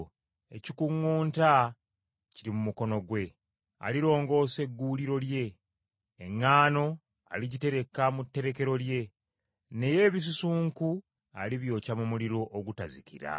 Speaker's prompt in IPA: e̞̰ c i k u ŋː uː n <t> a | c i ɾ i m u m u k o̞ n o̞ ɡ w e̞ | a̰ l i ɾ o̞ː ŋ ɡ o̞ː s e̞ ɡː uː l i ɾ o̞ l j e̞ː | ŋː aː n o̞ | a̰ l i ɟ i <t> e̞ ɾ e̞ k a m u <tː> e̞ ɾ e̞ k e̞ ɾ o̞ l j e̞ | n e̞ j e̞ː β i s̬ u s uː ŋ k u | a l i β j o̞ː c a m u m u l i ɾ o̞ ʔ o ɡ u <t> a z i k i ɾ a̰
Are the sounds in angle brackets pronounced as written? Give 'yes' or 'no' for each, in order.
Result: yes, yes, yes, yes

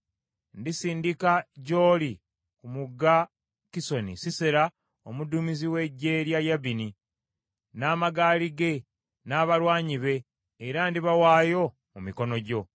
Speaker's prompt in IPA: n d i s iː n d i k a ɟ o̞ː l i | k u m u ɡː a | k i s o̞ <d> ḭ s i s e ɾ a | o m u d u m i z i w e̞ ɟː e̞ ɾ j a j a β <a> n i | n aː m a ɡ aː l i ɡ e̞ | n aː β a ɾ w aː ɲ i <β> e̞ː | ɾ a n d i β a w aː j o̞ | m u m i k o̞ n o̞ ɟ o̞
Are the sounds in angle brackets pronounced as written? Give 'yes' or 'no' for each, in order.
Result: no, no, yes

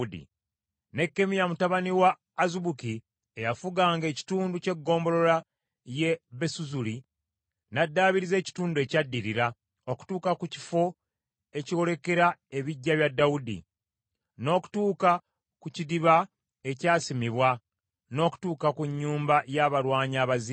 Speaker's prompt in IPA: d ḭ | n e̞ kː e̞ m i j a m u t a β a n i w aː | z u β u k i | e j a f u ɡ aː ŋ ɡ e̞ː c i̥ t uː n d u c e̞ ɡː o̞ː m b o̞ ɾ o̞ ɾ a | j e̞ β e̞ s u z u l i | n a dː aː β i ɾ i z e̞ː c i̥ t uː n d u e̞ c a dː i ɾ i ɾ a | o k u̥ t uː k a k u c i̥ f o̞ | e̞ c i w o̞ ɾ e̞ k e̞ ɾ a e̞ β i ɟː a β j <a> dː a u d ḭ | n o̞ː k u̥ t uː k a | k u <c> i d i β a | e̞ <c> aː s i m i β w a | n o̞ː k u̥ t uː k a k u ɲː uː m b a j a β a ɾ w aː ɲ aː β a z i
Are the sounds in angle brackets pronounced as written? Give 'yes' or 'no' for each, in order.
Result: yes, yes, yes

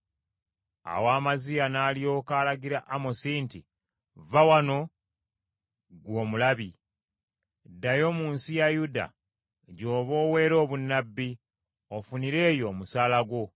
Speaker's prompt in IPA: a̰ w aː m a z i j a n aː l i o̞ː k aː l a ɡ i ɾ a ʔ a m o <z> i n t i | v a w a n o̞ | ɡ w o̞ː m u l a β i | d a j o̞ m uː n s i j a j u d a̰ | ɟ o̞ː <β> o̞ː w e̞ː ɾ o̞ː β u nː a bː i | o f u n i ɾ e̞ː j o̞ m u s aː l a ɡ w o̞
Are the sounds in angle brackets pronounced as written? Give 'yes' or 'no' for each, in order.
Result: no, yes

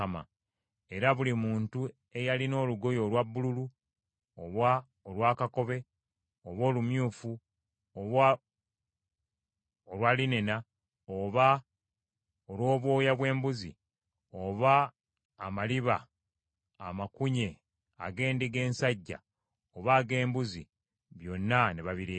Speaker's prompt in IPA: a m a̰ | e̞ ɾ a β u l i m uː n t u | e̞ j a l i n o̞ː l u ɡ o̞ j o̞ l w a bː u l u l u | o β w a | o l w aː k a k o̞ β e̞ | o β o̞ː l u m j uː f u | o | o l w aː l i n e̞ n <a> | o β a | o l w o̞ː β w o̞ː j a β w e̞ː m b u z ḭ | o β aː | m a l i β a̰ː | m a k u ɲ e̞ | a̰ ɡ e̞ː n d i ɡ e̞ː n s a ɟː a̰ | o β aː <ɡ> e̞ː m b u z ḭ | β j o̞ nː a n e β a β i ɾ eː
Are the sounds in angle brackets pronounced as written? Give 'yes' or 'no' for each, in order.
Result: yes, yes

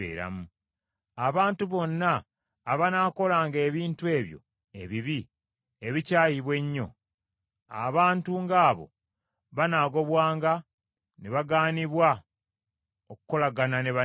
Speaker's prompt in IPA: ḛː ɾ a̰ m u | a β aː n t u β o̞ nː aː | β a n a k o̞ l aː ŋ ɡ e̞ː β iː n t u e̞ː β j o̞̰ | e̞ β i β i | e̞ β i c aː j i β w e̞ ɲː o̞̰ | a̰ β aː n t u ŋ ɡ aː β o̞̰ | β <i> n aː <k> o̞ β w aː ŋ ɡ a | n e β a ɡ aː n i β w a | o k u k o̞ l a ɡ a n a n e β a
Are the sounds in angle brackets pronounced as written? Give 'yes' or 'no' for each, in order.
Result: no, no

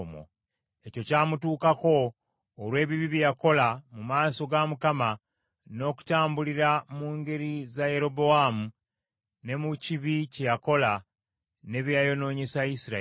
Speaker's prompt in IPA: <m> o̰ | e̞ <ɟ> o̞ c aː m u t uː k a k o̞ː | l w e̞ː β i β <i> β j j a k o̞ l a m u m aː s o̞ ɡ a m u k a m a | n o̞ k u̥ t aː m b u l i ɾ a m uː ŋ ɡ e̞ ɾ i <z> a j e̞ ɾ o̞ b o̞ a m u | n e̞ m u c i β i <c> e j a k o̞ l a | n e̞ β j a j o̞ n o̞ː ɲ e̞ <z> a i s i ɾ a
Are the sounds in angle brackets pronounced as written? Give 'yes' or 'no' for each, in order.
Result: yes, no, yes, yes, yes, no

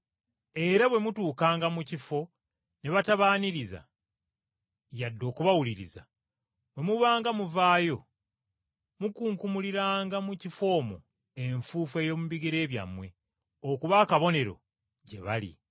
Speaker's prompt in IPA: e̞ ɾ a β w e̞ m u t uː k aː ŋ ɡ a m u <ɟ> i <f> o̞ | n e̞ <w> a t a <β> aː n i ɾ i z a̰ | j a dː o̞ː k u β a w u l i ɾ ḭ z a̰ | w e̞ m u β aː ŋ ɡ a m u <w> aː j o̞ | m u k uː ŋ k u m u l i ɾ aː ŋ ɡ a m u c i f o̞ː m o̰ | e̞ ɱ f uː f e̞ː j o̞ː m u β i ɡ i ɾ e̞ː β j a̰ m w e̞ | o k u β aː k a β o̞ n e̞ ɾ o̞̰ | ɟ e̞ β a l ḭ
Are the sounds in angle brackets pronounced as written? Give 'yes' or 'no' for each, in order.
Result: no, yes, no, yes, no

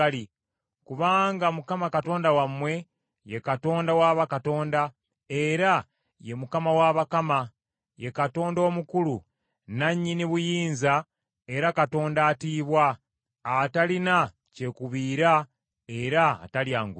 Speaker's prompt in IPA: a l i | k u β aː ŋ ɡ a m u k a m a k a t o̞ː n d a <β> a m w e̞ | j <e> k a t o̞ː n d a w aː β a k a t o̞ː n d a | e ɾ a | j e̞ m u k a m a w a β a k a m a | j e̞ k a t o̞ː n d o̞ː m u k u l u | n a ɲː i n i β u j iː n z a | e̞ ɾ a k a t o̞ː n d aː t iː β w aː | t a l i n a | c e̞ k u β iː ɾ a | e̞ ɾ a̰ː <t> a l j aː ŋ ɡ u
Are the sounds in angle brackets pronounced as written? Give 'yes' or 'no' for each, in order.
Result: no, yes, yes

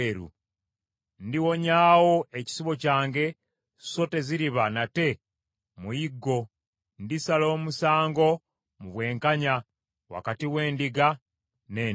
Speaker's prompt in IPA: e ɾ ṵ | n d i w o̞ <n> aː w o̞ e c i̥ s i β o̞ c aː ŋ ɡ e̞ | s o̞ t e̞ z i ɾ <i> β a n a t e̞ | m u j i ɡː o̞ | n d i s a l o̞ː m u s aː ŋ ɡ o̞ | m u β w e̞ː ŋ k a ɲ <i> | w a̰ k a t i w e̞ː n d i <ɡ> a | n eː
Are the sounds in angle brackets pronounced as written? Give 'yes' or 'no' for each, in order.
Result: no, yes, no, yes

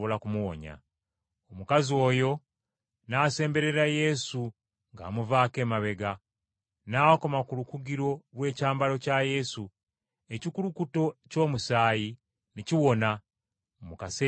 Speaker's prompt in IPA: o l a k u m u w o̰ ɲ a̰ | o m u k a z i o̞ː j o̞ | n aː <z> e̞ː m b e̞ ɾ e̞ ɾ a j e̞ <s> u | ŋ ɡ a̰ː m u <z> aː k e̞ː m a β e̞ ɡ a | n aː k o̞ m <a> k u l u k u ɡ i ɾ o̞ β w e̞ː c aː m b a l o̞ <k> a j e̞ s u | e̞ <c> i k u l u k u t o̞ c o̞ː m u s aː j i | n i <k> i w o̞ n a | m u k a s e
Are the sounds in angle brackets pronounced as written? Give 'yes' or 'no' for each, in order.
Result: no, yes, no, yes, no, yes, no

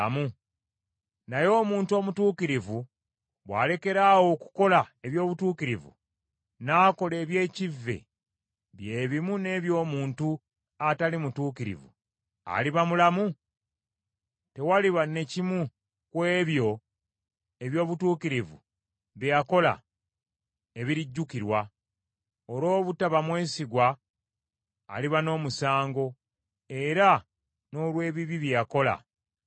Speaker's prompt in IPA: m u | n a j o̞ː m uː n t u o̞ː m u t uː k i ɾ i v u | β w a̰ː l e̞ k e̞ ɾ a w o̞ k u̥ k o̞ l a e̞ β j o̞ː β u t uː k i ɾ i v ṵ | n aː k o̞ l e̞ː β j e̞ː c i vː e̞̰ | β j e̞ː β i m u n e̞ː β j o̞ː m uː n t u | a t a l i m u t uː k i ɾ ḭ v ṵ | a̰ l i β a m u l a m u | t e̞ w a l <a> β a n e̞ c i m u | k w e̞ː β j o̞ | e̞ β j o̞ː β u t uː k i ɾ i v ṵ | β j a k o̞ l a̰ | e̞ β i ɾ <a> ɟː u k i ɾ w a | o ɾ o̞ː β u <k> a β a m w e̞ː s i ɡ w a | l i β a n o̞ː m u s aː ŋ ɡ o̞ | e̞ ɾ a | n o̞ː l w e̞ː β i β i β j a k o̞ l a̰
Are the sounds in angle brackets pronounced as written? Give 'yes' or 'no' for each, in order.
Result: no, no, no

